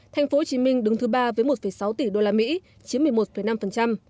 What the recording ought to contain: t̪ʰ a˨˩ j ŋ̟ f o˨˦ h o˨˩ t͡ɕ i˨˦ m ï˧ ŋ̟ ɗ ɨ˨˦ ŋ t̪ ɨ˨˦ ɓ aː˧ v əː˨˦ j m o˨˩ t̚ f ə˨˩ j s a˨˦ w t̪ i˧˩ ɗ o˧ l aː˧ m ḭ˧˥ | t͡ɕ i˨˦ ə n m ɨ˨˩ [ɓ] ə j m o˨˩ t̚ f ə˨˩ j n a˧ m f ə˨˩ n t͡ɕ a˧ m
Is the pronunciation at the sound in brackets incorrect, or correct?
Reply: incorrect